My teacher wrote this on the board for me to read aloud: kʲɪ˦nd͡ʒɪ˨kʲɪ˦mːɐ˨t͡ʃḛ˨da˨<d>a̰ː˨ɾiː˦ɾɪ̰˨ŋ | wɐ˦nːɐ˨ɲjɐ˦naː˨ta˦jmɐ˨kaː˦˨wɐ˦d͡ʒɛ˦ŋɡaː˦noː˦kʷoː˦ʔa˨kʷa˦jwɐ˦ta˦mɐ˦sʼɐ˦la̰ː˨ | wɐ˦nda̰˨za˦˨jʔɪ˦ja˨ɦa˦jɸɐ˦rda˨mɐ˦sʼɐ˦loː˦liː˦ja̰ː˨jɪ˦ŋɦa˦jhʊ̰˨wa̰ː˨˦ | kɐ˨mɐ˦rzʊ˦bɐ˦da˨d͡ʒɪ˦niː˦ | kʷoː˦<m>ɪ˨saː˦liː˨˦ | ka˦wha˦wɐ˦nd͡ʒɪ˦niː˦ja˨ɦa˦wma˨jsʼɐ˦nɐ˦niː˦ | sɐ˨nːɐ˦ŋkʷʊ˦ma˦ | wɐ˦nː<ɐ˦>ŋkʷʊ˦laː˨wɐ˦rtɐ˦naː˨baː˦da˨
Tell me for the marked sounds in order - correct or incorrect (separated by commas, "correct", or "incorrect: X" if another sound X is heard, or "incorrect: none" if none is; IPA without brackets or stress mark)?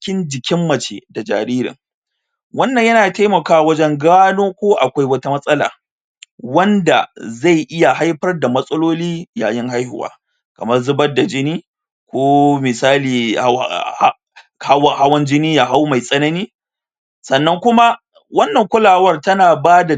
incorrect: d͡ʒ, correct, incorrect: ɐ˨